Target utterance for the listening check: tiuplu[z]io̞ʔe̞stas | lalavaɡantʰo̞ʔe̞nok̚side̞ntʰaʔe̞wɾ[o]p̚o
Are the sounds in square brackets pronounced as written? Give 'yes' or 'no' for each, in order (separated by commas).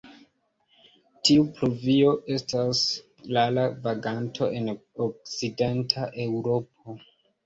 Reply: no, yes